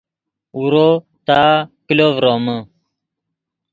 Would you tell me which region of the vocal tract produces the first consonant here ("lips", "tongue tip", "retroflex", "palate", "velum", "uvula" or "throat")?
tongue tip